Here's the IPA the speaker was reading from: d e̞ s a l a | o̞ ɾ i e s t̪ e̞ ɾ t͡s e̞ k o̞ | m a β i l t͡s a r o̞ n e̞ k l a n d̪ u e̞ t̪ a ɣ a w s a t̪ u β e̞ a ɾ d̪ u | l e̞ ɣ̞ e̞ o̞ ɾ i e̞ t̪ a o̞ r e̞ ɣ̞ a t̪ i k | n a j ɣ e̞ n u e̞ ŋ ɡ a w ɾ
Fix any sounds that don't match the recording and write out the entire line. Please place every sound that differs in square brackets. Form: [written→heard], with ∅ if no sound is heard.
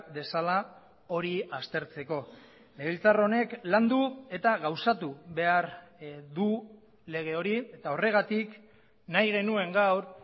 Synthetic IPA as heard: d e̞ s a l a | o̞ ɾ i [e→a] s t̪ e̞ ɾ t͡s e̞ k o̞ | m [a→e] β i l t͡s a r o̞ n e̞ k l a n d̪ u e̞ t̪ a ɣ a w s a t̪ u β e̞ a ɾ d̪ u | l e̞ ɣ̞ e̞ o̞ ɾ i e̞ t̪ a o̞ r e̞ ɣ̞ a t̪ i k | n a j ɣ e̞ n u e̞ ŋ ɡ a w ɾ